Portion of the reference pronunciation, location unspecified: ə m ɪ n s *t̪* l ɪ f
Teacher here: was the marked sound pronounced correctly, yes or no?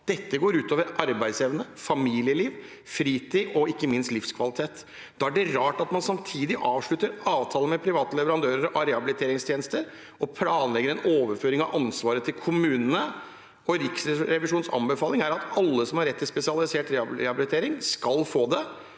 yes